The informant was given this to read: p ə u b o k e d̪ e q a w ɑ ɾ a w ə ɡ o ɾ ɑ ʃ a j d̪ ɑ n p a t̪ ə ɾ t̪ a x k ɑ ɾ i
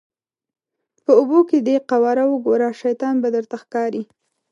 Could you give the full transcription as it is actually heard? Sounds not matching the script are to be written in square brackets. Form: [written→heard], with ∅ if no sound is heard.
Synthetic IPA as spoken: p ə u b o k e d̪ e q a w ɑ ɾ a w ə ɡ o ɾ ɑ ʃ a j [d̪→t̪] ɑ n [p→b] a [t̪→d̪] ə ɾ t̪ a x k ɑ ɾ i